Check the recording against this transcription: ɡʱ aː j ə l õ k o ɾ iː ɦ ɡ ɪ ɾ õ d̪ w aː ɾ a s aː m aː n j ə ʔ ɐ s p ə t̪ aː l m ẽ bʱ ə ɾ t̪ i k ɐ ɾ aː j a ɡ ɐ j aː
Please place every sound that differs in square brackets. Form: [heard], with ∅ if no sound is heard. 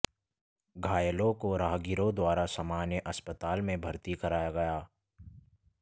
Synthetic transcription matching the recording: ɡʱ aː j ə l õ k o ɾ [aː] ɦ ɡ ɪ ɾ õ d̪ w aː ɾ a s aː m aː n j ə ʔ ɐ s p ə t̪ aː l m ẽ bʱ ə ɾ t̪ i k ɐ ɾ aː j a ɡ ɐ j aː